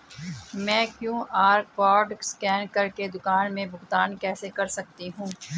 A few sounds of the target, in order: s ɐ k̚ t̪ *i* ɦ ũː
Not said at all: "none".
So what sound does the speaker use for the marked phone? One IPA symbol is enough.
i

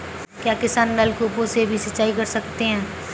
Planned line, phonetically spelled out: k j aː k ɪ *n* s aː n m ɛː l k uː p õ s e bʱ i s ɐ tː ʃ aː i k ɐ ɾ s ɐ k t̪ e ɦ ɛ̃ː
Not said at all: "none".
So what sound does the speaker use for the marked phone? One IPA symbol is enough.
none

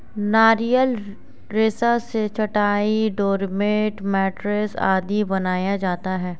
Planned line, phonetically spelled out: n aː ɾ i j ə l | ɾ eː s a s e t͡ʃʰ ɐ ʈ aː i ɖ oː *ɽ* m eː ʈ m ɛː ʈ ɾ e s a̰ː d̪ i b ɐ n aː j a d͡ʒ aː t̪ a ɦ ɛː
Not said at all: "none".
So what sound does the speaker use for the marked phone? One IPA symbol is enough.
ɾ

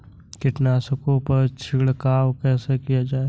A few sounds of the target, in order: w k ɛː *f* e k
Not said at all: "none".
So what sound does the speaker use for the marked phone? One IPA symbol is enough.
s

